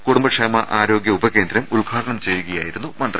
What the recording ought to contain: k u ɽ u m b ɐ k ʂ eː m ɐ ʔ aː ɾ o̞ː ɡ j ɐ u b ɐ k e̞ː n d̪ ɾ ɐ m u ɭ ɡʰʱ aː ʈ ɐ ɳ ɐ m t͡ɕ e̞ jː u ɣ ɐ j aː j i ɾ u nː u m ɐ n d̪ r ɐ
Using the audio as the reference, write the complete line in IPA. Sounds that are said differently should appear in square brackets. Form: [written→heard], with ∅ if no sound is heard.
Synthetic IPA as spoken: k u ɽ u m b ɐ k ʂ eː m ɐ ʔ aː ɾ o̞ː ɡ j ɐ u b ɐ k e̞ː n d̪ ɾ ɐ m u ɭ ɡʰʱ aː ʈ ɐ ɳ ɐ m t͡ɕ e̞ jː u ɣ ɐ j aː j i ɾ u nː u m ɐ n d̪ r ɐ